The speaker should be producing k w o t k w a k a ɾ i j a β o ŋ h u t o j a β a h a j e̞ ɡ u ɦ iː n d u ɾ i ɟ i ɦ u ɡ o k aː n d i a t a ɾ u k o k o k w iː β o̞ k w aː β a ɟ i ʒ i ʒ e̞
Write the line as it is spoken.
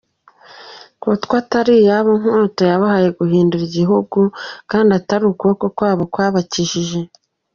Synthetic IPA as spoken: k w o t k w a t a ɾ i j a β o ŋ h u t o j a β a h a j e̞ ɡ u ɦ iː n d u ɾ i ɟ i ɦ u ɡ u k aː n d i a t a ɾ u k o k o k w aː β o̞ k w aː β a c i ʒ i ʒ e̞